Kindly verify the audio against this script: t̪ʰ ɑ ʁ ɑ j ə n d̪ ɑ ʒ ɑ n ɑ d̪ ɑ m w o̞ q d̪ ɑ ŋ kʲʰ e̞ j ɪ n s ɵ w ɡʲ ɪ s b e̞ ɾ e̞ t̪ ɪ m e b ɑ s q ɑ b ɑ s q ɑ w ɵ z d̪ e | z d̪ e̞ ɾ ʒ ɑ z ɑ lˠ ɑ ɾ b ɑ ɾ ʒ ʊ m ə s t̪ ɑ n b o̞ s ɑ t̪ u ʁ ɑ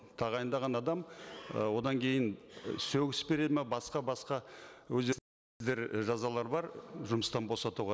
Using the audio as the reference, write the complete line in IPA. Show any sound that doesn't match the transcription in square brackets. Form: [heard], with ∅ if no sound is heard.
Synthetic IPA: t̪ʰ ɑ ʁ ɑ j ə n d̪ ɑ [ʁ] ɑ n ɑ d̪ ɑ m w o̞ [∅] d̪ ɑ ŋ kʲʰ e̞ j ɪ n s ɵ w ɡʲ ɪ s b e̞ ɾ e̞ [d̪] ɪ m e b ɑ s q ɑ b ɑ s q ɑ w ɵ z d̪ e | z d̪ e̞ ɾ ʒ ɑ z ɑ lˠ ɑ ɾ b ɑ ɾ ʒ ʊ m ə s t̪ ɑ n b o̞ s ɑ t̪ u ʁ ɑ

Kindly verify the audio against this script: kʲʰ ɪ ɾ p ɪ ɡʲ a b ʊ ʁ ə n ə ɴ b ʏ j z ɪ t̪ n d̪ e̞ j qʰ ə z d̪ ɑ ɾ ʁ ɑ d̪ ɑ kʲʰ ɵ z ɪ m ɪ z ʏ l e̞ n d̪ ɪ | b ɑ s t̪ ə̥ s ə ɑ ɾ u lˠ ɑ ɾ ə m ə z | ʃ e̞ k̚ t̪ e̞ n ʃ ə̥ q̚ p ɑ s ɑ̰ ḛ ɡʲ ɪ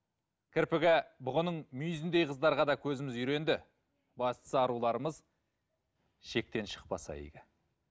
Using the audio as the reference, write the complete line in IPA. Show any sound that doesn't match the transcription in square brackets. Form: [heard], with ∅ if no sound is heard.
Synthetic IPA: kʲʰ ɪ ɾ p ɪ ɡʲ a b ʊ ʁ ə n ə ɴ [m] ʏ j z ɪ [∅] n d̪ e̞ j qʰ ə z d̪ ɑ ɾ ʁ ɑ d̪ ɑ kʲʰ ɵ z ɪ m ɪ z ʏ [ɾ] e̞ n d̪ ɪ | b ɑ s t̪ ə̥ s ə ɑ ɾ u lˠ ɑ ɾ ə m ə z | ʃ e̞ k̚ t̪ e̞ n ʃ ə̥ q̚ p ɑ s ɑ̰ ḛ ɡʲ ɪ

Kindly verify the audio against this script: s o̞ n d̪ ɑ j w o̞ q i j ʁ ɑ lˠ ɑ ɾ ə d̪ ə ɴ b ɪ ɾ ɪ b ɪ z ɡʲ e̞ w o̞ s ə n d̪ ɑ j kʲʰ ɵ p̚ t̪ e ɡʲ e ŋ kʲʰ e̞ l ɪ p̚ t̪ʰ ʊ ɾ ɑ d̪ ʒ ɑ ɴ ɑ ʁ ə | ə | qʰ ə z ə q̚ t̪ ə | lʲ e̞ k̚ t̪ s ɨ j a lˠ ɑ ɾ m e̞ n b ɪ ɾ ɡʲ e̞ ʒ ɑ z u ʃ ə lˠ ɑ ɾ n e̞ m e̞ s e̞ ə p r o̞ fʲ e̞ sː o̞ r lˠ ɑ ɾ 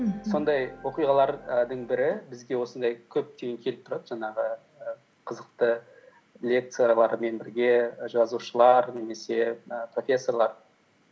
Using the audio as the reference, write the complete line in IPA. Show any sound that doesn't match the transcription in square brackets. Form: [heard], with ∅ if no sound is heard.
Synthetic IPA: s o̞ n d̪ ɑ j w o̞ q i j ʁ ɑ lˠ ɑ ɾ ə d̪ ə ɴ b ɪ ɾ ɪ b ɪ z ɡʲ e̞ w o̞ s ə n d̪ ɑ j kʲʰ ɵ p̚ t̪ e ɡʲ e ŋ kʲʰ e̞ l ɪ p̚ t̪ʰ ʊ ɾ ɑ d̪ ʒ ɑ ɴ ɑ ʁ ə | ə | qʰ ə z ə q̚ t̪ ə | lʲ e̞ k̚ t̪ s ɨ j a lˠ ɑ ɾ m e̞ n b ɪ ɾ ɡʲ e̞ ʒ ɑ z u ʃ ə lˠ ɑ ɾ n e̞ m e̞ s e̞ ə p r o̞ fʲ e̞ sː o̞ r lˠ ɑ ɾ

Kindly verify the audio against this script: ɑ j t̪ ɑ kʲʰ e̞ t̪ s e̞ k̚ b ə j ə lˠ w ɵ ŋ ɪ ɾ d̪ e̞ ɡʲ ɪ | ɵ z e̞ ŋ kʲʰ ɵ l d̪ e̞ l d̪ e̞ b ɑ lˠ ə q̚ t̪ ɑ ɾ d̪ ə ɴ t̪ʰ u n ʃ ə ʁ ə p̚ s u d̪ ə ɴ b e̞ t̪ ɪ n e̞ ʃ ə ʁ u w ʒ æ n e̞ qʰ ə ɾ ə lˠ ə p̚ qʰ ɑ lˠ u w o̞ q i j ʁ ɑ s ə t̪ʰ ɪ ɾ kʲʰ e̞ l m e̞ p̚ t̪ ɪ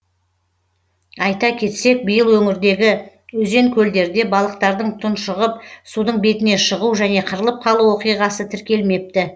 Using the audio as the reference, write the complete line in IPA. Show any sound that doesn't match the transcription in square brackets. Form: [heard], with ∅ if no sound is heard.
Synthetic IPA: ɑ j t̪ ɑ kʲʰ e̞ t̪ s e̞ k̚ b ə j ə lˠ w ɵ ŋ ɪ ɾ d̪ e̞ ɡʲ ɪ | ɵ z e̞ ŋ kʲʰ ɵ l d̪ e̞ [ɾ] d̪ e̞ b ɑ lˠ ə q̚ t̪ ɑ ɾ d̪ ə ɴ t̪ʰ [ʊ] n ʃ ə ʁ ə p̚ s u d̪ ə ɴ b e̞ t̪ ɪ n e̞ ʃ ə ʁ u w ʒ æ n e̞ qʰ ə ɾ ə lˠ ə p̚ qʰ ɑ lˠ u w o̞ q i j ʁ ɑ s ə t̪ʰ ɪ ɾ [kʲ] e̞ l m e̞ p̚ t̪ ɪ

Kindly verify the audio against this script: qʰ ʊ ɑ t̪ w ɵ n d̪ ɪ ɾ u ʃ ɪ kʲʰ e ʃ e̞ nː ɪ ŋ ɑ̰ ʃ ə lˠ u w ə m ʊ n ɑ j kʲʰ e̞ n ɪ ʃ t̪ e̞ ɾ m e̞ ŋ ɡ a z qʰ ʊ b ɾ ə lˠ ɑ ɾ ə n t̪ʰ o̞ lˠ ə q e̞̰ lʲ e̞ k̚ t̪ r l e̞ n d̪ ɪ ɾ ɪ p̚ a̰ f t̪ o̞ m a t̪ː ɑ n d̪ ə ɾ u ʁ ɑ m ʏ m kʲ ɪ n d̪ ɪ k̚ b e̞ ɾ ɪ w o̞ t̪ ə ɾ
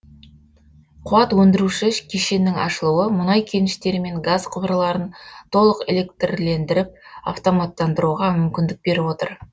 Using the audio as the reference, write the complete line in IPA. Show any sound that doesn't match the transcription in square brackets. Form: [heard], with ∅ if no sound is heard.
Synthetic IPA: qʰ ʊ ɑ t̪ w ɵ n d̪ ɪ ɾ u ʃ ɪ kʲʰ e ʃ e̞ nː ɪ ŋ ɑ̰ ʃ ə lˠ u w ə m ʊ n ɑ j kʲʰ e̞ n ɪ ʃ t̪ e̞ ɾ m e̞ ŋ ɡ a z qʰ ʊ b ɾ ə lˠ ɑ ɾ ə n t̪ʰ o̞ lˠ ə q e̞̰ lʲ e̞ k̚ t̪ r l e̞ n d̪ ɪ ɾ ɪ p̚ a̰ f t̪ o̞ m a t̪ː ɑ n d̪ ə ɾ u ʁ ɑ m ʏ m kʲ ɪ n d̪ ɪ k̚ b e̞ ɾ ɪ w o̞ t̪ ə ɾ

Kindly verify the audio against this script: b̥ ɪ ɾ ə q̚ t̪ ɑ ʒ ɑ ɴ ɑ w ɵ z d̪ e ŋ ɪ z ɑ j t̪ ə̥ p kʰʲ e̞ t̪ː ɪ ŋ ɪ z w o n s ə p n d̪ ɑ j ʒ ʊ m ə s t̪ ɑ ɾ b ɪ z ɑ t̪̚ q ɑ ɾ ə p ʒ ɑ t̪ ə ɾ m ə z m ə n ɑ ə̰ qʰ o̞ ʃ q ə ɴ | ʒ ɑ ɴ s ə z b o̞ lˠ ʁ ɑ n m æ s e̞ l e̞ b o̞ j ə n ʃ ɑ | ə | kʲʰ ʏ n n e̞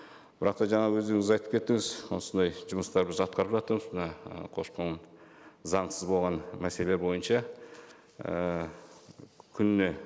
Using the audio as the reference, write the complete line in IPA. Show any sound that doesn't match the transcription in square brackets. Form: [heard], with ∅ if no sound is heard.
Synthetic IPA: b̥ ɪ ɾ [ɑ] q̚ t̪ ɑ ʒ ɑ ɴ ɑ w ɵ z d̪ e ŋ ɪ z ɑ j t̪ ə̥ p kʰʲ e̞ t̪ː ɪ ŋ ɪ z w o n s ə [∅] n d̪ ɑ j ʒ ʊ m ə s t̪ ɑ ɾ b ɪ z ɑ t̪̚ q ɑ ɾ ə p ʒ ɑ t̪ ə ɾ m ə z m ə n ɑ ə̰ qʰ o̞ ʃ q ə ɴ | [z] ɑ ɴ s ə z b o̞ lˠ ʁ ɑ n m æ s e̞ l e̞ b o̞ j ə n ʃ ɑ | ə | kʲʰ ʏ n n e̞

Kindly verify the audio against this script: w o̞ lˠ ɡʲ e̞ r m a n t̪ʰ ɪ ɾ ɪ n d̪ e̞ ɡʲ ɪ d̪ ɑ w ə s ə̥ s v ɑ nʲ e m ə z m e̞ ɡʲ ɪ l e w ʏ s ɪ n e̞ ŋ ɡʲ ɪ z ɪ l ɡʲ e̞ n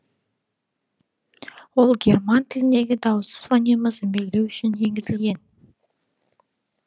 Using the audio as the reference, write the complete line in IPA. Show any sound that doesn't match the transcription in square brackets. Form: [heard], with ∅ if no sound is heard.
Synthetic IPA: w o̞ lˠ ɡʲ e̞ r m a n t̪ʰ ɪ [l] ɪ n d̪ e̞ ɡʲ ɪ d̪ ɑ w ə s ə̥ s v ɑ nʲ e m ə z m e̞ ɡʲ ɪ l e w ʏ [ʃ] ɪ n e̞ ŋ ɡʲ ɪ z ɪ l ɡʲ e̞ n

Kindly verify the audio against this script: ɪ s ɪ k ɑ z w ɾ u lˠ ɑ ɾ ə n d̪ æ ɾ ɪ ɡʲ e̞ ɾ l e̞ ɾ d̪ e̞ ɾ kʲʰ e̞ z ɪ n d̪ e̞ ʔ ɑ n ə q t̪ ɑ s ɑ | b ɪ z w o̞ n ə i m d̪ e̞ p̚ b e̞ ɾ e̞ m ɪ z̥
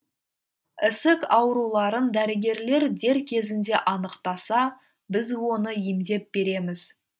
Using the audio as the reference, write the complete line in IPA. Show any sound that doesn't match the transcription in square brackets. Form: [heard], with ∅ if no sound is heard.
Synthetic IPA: ɪ s ɪ k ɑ [∅] w ɾ u lˠ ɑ ɾ ə n d̪ æ ɾ ɪ ɡʲ e̞ ɾ l e̞ ɾ d̪ e̞ ɾ kʲʰ e̞ z ɪ n d̪ e̞ ʔ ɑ n ə q t̪ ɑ s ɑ | b ɪ z w o̞ n ə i m d̪ e̞ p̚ b e̞ ɾ e̞ m ɪ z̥

